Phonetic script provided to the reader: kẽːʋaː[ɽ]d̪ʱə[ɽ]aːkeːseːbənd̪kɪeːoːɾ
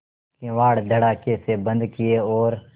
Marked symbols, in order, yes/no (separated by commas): yes, yes